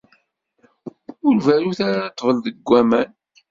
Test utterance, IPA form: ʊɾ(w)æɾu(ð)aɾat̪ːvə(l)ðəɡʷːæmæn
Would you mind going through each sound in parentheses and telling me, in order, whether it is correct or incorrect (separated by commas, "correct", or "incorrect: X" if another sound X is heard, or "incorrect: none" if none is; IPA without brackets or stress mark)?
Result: incorrect: v, incorrect: θ, correct